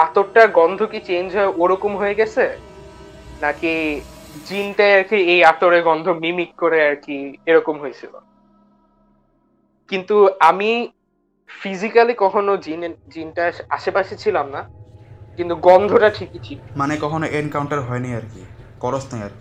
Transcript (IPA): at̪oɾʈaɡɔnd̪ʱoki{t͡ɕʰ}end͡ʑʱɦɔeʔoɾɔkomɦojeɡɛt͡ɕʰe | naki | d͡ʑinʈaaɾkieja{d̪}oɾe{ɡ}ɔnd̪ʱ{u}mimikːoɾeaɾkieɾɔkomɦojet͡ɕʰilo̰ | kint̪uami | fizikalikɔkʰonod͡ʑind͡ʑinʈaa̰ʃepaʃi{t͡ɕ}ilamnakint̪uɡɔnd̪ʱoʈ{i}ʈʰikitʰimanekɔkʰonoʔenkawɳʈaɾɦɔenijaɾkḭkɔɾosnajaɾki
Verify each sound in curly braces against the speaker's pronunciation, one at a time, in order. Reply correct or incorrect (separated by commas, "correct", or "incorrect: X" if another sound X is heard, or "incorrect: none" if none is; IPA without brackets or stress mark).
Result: incorrect: t͡ɕ, incorrect: t̪, correct, incorrect: o, incorrect: t͡ɕʰ, incorrect: a